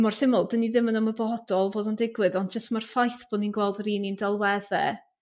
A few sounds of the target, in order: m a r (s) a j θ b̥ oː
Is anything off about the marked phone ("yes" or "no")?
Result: yes